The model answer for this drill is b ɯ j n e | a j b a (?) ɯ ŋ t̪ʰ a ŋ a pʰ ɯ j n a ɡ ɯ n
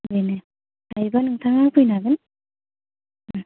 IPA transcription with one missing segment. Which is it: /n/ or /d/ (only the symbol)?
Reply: n